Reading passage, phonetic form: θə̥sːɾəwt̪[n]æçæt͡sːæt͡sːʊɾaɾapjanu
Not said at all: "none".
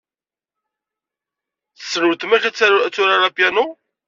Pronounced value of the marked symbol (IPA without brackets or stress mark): m